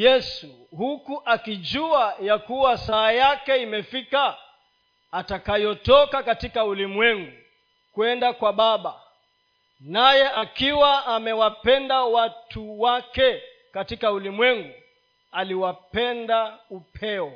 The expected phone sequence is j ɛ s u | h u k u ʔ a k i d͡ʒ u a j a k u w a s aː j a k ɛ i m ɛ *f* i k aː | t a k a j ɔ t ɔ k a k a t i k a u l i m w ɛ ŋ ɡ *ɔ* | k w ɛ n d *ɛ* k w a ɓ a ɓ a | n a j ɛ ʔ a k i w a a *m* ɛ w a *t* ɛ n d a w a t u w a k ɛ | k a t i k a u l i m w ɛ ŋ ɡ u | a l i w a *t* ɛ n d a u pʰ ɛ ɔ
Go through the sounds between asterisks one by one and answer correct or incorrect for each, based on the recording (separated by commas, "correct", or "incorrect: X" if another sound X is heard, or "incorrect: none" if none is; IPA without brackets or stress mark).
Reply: correct, incorrect: u, incorrect: a, correct, incorrect: p, incorrect: p